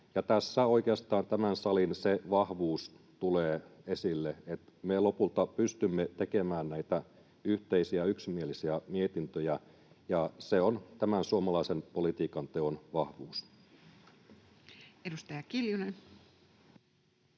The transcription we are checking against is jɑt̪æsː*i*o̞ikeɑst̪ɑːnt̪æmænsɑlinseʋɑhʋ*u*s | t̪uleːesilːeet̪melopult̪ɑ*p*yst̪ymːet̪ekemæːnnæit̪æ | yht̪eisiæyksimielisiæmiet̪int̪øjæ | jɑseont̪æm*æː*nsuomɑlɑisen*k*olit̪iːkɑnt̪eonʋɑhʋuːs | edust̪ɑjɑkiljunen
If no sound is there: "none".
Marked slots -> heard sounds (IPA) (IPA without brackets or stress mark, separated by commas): æ, uː, p, æ, p